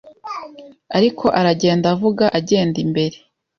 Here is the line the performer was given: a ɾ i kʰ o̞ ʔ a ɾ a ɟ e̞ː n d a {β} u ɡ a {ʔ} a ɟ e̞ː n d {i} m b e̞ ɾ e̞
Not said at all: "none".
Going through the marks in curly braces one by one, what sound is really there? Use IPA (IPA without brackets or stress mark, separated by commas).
v, ʔ, i